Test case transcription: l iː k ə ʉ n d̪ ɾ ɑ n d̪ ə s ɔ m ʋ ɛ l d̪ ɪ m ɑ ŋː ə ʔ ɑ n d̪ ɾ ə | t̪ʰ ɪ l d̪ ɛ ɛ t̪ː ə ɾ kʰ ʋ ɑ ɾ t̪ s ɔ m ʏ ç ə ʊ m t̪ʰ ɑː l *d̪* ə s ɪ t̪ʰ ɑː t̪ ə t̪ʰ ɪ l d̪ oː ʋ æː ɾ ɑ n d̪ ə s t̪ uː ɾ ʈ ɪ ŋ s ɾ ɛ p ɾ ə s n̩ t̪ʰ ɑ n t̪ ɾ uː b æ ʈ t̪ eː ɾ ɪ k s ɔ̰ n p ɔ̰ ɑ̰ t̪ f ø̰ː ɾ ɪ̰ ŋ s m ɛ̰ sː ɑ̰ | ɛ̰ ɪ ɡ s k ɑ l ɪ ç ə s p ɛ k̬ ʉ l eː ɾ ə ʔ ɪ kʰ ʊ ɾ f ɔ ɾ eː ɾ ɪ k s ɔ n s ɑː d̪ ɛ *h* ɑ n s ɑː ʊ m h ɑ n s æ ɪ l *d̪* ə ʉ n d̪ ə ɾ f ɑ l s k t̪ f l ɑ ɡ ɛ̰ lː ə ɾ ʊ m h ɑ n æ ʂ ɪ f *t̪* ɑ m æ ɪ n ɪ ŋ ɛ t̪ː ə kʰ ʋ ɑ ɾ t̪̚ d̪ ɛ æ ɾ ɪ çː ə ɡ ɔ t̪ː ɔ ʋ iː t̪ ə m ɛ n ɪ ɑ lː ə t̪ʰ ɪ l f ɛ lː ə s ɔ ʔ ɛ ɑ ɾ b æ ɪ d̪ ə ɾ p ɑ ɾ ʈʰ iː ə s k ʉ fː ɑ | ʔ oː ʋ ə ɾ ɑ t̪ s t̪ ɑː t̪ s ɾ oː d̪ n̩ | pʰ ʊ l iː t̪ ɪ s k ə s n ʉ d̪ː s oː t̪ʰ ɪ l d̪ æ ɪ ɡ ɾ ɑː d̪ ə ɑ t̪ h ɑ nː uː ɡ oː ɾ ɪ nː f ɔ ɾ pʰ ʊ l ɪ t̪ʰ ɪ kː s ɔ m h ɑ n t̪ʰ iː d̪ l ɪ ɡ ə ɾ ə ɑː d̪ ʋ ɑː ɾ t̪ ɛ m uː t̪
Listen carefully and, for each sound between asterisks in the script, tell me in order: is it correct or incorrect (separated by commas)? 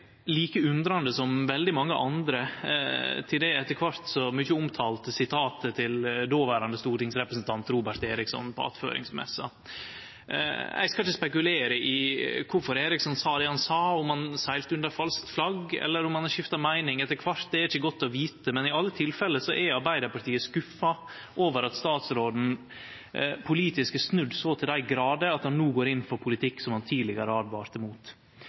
incorrect, correct, incorrect, correct